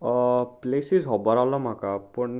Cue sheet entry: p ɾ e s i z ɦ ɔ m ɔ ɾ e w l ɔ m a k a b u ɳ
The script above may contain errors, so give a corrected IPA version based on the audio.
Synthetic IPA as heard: p l e s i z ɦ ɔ b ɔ ɾ a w l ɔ m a k a p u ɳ